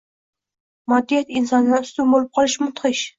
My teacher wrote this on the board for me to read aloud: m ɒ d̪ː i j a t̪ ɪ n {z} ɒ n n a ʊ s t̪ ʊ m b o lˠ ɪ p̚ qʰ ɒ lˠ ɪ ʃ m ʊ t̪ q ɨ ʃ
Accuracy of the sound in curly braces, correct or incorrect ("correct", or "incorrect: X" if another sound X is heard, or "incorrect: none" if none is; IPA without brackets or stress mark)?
incorrect: s